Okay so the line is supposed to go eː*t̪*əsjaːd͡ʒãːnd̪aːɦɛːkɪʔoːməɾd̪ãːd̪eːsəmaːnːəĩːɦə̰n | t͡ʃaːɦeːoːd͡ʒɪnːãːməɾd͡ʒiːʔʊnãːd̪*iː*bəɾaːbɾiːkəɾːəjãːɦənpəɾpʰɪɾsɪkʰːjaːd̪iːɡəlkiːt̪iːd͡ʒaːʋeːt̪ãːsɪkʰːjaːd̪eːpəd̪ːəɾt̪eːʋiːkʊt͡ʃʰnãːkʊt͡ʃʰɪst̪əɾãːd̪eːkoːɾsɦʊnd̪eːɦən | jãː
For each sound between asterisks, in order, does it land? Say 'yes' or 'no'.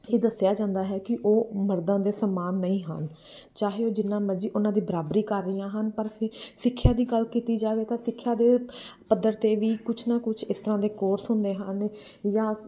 no, yes

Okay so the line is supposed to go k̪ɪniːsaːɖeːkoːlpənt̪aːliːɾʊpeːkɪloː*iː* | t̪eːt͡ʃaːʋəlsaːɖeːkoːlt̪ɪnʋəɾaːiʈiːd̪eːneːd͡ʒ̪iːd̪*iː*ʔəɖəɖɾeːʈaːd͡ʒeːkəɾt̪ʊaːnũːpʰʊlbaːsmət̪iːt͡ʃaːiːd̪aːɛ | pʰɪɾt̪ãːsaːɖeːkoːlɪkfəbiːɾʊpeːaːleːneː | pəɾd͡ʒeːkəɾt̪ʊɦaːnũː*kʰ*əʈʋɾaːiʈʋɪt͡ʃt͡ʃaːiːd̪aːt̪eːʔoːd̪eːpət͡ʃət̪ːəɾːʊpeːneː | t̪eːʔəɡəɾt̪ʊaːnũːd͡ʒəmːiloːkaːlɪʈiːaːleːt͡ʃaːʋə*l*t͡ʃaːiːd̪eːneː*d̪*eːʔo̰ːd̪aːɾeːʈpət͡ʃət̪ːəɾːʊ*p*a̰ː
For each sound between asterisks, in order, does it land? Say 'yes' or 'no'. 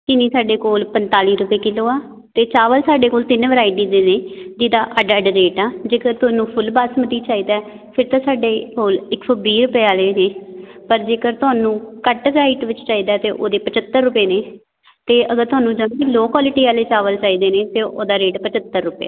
no, no, no, yes, no, yes

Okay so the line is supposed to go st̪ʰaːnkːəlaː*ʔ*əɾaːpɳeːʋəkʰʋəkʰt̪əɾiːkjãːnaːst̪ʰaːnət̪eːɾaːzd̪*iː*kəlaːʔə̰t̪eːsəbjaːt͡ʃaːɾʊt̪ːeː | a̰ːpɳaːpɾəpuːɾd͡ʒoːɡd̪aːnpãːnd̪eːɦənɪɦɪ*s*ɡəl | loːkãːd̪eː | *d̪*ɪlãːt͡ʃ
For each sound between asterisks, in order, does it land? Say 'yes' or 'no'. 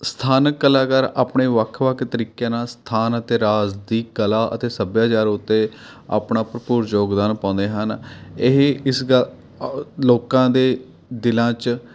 no, yes, yes, yes

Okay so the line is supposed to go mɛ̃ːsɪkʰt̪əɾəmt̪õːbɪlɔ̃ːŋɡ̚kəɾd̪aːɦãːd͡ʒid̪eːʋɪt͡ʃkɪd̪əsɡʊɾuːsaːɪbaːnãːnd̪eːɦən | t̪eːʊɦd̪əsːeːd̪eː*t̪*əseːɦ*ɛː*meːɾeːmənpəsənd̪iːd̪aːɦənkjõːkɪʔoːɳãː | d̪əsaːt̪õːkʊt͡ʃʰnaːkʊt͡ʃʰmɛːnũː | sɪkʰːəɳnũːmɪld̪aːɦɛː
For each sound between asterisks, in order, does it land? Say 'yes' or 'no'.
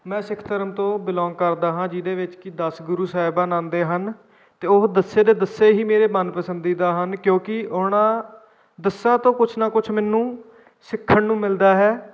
no, no

